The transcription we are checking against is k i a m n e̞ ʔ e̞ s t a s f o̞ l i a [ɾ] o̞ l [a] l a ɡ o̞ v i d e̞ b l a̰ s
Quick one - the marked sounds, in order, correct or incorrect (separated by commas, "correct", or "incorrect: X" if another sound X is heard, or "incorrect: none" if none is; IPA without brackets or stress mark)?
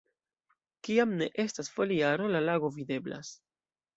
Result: correct, correct